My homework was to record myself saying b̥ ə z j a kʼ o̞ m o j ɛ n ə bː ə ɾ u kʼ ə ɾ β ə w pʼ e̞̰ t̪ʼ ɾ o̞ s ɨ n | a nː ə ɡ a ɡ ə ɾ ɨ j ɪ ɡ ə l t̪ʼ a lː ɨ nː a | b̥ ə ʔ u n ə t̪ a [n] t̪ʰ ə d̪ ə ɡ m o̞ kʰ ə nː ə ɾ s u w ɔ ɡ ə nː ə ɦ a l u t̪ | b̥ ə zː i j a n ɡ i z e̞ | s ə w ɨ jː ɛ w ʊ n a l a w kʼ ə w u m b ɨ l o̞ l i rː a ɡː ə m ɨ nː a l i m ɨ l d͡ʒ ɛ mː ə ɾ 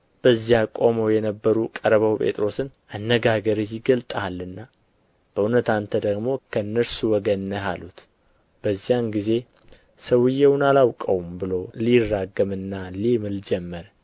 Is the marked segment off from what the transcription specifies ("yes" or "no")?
no